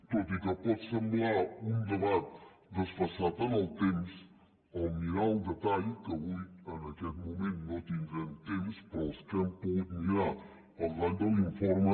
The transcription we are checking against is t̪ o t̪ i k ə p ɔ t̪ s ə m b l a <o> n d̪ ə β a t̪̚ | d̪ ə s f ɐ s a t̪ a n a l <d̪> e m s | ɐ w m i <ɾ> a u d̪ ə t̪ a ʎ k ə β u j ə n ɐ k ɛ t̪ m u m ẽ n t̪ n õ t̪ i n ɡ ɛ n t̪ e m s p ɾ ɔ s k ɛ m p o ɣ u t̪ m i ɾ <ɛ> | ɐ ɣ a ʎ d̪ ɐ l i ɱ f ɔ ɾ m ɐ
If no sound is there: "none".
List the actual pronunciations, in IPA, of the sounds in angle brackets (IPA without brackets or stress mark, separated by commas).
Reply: u, t̪, ɾ, a